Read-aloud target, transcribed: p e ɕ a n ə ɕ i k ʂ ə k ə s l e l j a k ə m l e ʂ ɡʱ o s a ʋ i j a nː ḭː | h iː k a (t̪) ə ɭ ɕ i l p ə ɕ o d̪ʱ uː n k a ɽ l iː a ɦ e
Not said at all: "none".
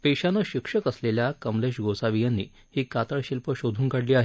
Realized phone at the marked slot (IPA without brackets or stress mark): t̪